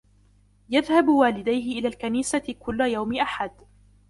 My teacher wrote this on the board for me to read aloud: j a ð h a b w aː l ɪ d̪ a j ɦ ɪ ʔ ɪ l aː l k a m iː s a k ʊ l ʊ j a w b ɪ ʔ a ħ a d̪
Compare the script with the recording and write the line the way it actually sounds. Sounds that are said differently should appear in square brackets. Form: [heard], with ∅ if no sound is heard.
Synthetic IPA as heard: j a ð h a b w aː l ɪ d̪ a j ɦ ɪ ʔ ɪ l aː l k a [n] iː s a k ʊ [lː] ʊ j a w [m] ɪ ʔ a ħ a d̪